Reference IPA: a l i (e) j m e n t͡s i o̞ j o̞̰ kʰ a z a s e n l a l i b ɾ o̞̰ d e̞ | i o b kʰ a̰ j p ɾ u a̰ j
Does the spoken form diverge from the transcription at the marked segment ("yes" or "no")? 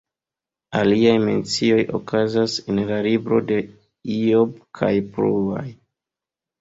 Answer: yes